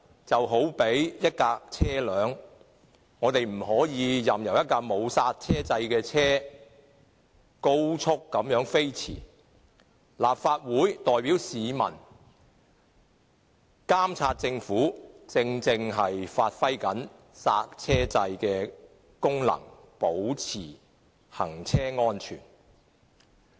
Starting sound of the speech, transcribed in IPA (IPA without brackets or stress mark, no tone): t͡s